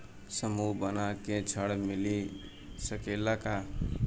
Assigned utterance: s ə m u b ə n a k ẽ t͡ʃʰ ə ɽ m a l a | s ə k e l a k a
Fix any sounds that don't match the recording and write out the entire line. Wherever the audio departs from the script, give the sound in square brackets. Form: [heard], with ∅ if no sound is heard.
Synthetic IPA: s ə m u b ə n a k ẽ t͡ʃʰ ə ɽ m [i] l [i] | s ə k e l a k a